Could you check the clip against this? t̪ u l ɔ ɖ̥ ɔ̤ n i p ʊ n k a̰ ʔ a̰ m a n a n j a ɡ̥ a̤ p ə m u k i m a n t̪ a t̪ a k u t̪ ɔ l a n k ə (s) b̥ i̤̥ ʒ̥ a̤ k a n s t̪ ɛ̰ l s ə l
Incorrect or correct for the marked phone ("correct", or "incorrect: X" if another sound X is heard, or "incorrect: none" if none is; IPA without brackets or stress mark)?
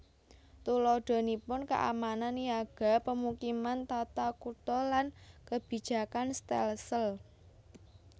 incorrect: none